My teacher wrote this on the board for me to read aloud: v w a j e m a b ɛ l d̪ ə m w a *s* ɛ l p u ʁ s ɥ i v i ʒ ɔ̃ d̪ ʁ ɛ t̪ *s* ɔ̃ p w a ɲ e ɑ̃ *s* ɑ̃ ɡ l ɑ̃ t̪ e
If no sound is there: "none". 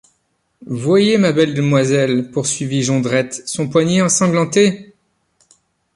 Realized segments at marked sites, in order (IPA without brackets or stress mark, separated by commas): z, s, s